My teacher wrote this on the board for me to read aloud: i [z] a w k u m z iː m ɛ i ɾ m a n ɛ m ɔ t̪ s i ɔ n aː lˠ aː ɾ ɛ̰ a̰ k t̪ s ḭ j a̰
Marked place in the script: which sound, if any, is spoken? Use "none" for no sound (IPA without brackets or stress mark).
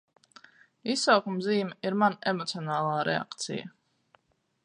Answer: s